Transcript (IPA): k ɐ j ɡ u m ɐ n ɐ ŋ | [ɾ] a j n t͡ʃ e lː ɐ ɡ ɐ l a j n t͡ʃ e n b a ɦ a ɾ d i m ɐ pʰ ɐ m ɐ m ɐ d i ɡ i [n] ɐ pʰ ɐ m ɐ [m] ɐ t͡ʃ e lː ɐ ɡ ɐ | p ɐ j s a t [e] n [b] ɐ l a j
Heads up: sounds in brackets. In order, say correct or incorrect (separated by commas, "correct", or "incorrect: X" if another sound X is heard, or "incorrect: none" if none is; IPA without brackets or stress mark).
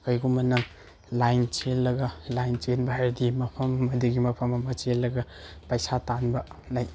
incorrect: l, incorrect: m, correct, incorrect: a, correct